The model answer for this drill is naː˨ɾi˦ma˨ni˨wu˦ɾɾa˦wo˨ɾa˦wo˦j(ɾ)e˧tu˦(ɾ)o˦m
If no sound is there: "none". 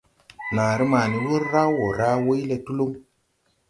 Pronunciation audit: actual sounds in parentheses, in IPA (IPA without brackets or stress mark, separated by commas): l, l